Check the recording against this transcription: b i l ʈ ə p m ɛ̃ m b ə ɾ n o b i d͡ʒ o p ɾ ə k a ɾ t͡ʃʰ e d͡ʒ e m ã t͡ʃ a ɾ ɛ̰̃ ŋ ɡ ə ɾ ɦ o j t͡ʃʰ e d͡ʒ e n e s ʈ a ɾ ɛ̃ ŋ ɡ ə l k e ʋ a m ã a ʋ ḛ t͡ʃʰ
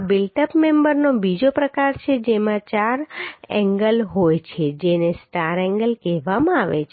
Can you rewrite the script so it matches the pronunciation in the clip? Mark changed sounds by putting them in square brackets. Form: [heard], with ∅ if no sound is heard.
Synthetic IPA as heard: b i l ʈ ə p m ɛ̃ m b ə ɾ n o b i d͡ʒ o p ɾ ə k a ɾ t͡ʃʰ e d͡ʒ e m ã t͡ʃ a ɾ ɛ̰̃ ŋ ɡ ə [l] ɦ o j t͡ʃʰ e d͡ʒ e n e s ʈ a ɾ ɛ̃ ŋ ɡ ə l k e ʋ a m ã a ʋ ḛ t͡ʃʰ